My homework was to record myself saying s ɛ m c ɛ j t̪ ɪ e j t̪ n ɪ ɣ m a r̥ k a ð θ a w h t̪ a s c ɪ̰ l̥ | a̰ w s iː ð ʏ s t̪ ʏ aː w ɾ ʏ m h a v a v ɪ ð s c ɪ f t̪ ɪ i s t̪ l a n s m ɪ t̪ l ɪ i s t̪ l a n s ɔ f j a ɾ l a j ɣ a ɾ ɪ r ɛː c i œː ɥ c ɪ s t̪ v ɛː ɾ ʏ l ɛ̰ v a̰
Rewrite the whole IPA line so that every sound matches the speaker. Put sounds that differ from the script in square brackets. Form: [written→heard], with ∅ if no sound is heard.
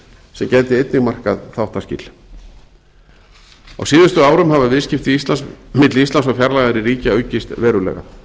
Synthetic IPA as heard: s ɛ m c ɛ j t̪ ɪ e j t̪ n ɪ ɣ m a r̥ k a ð θ a w h t̪ a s c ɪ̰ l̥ | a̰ w s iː ð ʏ s t̪ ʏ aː w ɾ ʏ m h a v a v ɪ ð s c ɪ f t̪ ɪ i s t̪ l a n s m ɪ t̪ l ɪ i s t̪ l a n s ɔ f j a ɾ l a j ɣ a ɾ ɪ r [ɛː→iː] c [i→a] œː ɥ c ɪ s t̪ v ɛː ɾ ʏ l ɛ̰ [v→ɣ] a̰